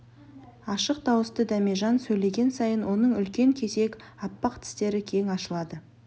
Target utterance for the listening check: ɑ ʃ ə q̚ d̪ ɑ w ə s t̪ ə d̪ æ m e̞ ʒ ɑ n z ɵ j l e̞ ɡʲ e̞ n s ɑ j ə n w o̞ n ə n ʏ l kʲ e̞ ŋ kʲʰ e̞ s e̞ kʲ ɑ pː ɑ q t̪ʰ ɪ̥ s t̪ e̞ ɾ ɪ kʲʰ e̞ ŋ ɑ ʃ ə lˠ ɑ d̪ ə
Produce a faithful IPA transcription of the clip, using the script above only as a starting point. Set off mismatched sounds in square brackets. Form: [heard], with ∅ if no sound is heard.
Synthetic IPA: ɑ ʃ ə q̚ d̪ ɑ w ə s t̪ ə d̪ æ m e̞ ʒ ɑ n [s] ɵ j l e̞ ɡʲ e̞ n s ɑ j ə n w o̞ n ə [ɴ] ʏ l kʲ e̞ ŋ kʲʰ e̞ s e̞ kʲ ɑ pː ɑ q t̪ʰ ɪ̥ s t̪ e̞ ɾ ɪ kʲʰ e̞ ŋ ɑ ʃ ə lˠ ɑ d̪ ə